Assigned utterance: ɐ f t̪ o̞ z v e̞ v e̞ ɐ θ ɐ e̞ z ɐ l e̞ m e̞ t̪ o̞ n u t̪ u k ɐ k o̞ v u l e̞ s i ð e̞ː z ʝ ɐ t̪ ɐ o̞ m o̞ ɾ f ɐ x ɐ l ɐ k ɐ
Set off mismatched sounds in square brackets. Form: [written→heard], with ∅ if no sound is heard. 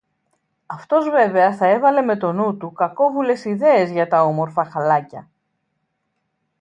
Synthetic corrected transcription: ɐ f t̪ o̞ z v e̞ v e̞ ɐ θ ɐ e̞ [z→v] ɐ l e̞ m e̞ t̪ o̞ n u t̪ u k ɐ k o̞ v u l e̞ s i ð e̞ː z ʝ ɐ t̪ ɐ o̞ m o̞ ɾ f ɐ x ɐ l ɐ [k→c] ɐ